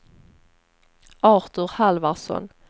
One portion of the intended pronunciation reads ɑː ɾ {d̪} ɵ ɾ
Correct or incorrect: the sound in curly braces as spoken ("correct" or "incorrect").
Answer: incorrect